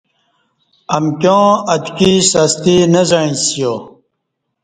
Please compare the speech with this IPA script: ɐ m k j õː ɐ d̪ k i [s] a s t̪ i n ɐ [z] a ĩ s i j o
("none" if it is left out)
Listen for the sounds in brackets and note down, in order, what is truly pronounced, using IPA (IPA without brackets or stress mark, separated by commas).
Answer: s, z